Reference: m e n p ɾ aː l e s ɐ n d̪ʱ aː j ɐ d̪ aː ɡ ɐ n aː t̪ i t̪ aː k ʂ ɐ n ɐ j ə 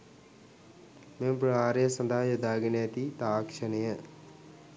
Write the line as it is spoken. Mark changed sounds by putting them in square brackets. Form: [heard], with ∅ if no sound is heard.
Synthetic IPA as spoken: m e [m] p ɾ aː [ɾ] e s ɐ n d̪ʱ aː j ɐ d̪ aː ɡ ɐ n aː t̪ i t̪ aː k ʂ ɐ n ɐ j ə

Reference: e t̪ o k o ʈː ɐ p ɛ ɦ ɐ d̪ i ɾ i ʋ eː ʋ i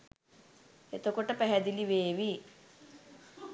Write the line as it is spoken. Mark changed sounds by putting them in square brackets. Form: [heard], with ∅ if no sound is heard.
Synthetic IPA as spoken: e t̪ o k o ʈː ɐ p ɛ ɦ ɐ d̪ i [l] i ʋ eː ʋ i

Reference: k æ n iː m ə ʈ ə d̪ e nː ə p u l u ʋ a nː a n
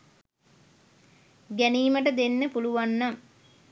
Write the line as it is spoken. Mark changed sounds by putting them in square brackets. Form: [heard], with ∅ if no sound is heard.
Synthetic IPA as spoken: [ɡ] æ n iː m ə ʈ ə d̪ e nː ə p u l u ʋ a nː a [ŋ]

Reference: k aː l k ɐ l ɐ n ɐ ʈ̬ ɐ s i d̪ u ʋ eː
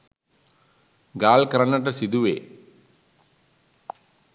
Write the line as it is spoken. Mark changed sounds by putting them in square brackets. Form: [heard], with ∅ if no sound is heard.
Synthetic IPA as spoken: [ɡ] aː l k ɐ [ɾ] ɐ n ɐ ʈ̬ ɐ s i d̪ u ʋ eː

